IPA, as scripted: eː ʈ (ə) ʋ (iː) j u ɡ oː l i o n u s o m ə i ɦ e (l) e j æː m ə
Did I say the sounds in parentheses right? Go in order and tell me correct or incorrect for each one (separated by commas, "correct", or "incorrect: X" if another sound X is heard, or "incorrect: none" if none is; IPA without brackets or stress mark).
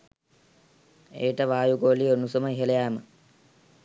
correct, incorrect: aː, correct